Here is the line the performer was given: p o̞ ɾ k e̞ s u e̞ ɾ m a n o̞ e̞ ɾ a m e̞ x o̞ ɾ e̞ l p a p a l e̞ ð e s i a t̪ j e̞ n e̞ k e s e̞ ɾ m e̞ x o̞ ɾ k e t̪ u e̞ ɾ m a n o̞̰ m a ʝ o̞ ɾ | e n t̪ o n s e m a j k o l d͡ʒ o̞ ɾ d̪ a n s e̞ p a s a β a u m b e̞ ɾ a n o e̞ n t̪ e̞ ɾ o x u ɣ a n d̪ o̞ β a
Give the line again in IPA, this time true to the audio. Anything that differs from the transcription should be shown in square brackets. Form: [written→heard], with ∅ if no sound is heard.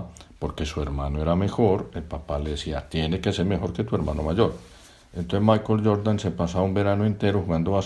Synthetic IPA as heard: p o̞ ɾ k e̞ s u e̞ ɾ m a n o̞ e̞ ɾ a m e̞ x o̞ ɾ e̞ l p a p a l e̞ ð e s i a t̪ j e̞ n e̞ k e s e̞ ɾ m e̞ x o̞ ɾ k e t̪ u e̞ ɾ m a n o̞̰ m a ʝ o̞ ɾ | e n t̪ o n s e m a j k o l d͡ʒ o̞ ɾ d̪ a n s e̞ p a s a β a u m b e̞ ɾ a n o e̞ n t̪ e̞ ɾ o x u ɣ a n d̪ o̞ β a